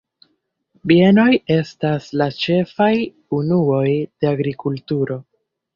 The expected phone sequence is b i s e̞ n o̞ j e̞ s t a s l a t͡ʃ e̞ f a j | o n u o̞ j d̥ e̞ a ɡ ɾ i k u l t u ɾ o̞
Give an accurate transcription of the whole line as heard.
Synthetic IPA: b i e̞ n o̞ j e̞ s t a s l a t͡ʃ e̞ f a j | u n u o̞ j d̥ e̞ a ɡ ɾ i k u l t u ɾ o̞